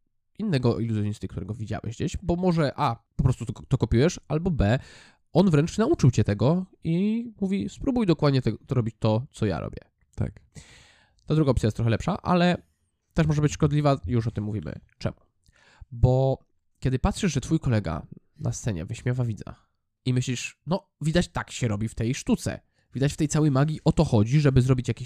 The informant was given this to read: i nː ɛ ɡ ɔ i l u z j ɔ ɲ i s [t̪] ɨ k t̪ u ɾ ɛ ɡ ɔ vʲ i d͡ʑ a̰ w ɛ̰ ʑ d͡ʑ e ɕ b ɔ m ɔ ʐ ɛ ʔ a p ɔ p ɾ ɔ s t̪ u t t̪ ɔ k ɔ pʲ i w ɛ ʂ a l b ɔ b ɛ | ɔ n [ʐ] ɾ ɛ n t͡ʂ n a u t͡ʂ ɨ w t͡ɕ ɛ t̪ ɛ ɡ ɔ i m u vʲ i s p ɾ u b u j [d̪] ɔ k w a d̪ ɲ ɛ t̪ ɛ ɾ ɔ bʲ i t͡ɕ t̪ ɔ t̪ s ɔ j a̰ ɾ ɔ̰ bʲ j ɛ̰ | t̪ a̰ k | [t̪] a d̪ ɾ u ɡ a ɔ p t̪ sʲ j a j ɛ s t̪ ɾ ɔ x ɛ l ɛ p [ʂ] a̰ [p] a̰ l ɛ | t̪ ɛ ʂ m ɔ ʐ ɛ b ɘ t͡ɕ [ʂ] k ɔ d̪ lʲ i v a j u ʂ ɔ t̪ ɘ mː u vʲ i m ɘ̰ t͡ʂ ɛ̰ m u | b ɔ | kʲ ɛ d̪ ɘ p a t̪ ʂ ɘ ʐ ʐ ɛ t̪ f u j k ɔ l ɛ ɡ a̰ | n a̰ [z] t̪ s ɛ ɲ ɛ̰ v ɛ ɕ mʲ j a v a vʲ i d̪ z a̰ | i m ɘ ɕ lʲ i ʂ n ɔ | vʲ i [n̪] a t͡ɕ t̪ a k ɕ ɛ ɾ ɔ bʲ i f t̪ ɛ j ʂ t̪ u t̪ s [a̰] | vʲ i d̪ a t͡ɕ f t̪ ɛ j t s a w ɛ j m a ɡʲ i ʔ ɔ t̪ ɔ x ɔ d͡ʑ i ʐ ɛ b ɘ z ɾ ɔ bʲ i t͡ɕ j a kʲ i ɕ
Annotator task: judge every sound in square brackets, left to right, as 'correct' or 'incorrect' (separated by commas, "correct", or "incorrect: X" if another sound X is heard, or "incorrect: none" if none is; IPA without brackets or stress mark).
correct, incorrect: v, correct, correct, correct, incorrect: ʔ, correct, incorrect: s, incorrect: d̪, incorrect: ɛ̰